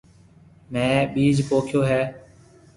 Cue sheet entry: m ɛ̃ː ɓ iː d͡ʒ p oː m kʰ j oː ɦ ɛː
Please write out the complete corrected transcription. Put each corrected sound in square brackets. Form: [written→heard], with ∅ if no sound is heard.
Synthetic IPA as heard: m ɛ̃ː ɓ iː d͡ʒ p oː [m→∅] kʰ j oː ɦ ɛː